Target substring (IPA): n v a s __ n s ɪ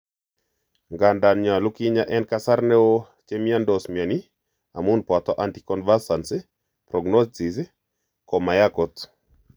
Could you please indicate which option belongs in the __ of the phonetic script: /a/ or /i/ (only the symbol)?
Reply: a